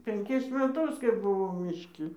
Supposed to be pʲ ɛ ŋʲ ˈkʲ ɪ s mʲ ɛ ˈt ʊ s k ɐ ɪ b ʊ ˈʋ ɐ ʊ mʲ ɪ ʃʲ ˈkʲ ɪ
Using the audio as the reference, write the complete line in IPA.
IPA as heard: pʲ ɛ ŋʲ ˈkʲ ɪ s mʲ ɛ ˈt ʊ s k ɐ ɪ b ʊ ˈʋ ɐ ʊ mʲ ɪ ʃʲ ˈkʲ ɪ